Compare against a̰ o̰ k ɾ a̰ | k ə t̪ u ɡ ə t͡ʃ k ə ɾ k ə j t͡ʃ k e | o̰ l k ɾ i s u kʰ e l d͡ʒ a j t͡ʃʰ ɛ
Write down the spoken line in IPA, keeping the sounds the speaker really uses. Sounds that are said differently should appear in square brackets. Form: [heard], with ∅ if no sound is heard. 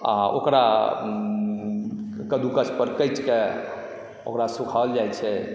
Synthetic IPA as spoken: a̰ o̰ k ɾ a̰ | k ə [d̪] u [k] ə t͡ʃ [p] ə ɾ k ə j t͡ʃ k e | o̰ [∅] k ɾ [a] s u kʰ [a] l d͡ʒ a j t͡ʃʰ ɛ